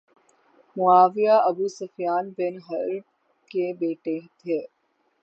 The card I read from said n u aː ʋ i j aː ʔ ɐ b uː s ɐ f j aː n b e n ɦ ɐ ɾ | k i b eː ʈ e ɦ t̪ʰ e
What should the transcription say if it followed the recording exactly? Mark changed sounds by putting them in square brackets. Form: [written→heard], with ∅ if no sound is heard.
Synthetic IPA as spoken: [n→m] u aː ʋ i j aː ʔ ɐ b uː s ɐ f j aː n b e n ɦ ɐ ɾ | k [i→e] b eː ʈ e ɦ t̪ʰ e